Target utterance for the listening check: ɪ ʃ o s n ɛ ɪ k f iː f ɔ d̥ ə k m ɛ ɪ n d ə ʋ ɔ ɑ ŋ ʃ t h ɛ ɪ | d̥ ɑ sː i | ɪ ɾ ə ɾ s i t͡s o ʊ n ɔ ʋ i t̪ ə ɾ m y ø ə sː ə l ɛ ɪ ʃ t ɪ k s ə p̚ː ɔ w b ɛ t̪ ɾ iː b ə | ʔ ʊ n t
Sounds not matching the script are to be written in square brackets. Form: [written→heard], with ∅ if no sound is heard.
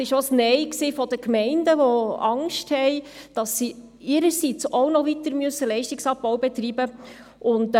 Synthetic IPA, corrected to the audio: ɪ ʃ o s n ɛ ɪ k [f→s] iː f ɔ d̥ ə k m ɛ ɪ n d ə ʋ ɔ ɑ ŋ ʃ t h ɛ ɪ | d̥ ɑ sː i | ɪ ɾ ə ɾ s i t͡s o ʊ n ɔ ʋ i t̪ ə ɾ m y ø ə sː ə l ɛ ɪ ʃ t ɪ k s [ə→ɑ] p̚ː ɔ w b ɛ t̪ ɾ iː b ə | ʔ ʊ n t